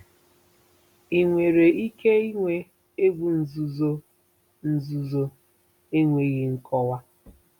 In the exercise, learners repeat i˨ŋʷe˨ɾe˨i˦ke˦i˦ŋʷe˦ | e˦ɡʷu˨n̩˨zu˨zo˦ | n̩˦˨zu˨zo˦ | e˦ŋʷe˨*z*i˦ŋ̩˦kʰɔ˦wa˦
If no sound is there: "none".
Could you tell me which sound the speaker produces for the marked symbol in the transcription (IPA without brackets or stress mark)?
ɣ